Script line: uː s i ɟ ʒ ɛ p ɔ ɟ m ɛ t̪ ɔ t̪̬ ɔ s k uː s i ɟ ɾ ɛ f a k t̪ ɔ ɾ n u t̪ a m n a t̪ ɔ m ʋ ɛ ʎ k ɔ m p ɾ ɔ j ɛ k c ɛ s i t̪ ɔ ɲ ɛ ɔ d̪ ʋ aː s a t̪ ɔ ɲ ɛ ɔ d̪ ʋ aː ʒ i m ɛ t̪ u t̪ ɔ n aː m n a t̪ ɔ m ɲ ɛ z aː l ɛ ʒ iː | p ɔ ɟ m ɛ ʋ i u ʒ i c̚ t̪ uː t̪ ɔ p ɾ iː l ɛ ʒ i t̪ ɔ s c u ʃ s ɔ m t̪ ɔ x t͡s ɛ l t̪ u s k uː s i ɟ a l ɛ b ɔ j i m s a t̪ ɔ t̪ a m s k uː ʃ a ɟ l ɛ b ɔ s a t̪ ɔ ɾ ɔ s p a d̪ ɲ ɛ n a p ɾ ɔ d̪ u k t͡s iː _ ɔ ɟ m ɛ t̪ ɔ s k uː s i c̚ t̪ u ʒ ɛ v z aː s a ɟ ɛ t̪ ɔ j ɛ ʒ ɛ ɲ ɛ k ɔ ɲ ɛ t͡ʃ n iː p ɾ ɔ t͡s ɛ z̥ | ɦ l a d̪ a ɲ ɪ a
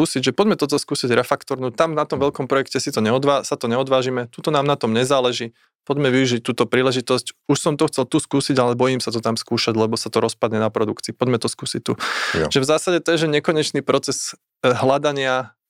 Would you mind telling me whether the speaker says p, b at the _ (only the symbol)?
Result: p